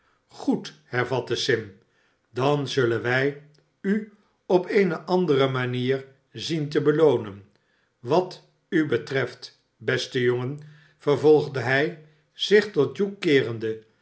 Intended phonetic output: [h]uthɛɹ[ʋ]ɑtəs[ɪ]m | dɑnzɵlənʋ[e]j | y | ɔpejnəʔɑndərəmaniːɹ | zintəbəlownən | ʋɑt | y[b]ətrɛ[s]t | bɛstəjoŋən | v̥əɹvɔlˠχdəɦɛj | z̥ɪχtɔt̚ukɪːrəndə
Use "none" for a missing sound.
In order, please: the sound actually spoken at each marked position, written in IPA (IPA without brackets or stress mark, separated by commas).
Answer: χ, v, ɪ, ɛ, b, f